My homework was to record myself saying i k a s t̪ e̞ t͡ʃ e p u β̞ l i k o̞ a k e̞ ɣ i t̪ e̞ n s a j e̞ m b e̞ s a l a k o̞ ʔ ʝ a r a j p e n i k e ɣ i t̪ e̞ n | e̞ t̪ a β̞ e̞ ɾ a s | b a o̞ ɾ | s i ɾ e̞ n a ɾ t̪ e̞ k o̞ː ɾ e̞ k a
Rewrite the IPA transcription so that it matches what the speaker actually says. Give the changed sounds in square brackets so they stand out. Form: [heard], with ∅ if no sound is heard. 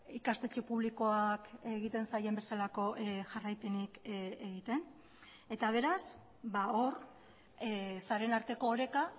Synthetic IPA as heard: i k a s t̪ e̞ t͡ʃ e p u β̞ l i k o̞ a k e̞ ɣ i t̪ e̞ n s a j e̞ m b e̞ s a l a k o̞ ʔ ʝ a r a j p e n i k e ɣ i t̪ e̞ n | e̞ t̪ a β̞ e̞ ɾ a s | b a o̞ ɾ | s [a] ɾ e̞ n a ɾ t̪ e̞ k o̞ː ɾ e̞ k a